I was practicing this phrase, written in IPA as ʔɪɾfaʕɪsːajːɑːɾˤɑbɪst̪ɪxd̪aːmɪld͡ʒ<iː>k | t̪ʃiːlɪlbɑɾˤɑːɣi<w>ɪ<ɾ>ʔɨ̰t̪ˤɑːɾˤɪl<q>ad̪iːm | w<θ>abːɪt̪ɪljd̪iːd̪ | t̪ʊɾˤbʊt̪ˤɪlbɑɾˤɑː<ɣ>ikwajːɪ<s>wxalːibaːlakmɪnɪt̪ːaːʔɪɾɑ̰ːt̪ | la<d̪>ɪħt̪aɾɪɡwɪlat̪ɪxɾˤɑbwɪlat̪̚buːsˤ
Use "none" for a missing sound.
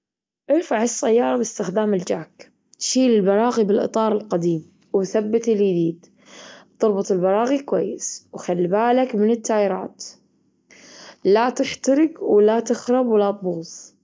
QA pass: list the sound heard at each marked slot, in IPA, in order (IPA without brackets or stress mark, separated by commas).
aː, b, l, q, θ, ɣ, s, t̪